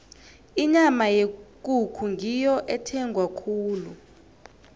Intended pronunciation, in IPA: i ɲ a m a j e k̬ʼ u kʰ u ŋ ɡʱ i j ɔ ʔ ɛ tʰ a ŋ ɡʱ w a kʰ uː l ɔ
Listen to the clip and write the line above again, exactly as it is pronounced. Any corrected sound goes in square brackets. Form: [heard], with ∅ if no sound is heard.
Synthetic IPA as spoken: i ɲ a m a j e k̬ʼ u kʰ u ŋ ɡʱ i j ɔ ʔ ɛ tʰ [ɛ] ŋ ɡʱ w a kʰ uː l [u]